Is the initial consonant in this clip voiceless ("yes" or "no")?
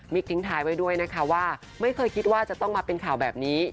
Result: no